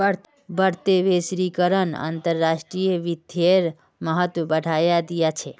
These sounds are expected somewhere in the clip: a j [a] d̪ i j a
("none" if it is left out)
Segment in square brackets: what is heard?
a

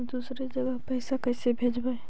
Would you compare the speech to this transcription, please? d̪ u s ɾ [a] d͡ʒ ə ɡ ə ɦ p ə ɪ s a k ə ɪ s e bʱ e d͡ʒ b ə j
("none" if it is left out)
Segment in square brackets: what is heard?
e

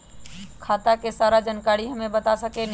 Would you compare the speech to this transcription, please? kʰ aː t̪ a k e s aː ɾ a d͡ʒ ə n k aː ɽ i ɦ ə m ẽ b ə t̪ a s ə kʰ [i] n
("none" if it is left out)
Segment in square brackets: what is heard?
e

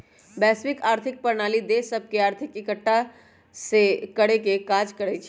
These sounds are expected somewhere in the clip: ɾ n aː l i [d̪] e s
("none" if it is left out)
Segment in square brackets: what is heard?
d̪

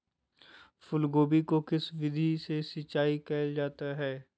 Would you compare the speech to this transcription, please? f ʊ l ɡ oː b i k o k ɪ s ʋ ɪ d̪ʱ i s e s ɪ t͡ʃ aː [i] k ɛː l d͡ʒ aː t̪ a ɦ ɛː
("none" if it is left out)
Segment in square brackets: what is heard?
i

